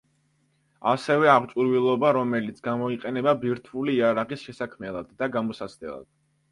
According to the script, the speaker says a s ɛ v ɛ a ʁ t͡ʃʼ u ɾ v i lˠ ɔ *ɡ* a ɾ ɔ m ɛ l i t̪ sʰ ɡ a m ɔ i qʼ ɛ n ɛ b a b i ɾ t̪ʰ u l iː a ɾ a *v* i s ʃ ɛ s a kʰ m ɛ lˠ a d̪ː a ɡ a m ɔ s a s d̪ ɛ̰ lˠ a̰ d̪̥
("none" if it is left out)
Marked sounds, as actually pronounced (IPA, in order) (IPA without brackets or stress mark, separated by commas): b, ʁ